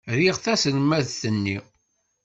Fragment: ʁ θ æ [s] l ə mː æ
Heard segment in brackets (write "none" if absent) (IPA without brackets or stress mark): s